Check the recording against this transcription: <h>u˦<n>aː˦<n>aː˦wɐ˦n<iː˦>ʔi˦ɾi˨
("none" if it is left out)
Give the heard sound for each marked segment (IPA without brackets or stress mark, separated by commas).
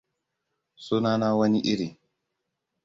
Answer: s, n, n, i˦